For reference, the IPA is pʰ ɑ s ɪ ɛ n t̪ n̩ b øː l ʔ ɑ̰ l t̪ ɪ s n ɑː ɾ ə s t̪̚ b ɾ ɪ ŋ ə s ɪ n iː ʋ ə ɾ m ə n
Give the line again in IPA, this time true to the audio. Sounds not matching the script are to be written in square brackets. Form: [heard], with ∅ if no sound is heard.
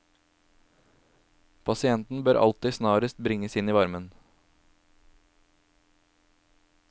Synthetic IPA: pʰ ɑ s ɪ ɛ n t̪ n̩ b øː [ɾ] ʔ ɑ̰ l t̪ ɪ s n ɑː ɾ ə s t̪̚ b ɾ ɪ ŋ ə s ɪ n iː ʋ [ɑ] ɾ m ə n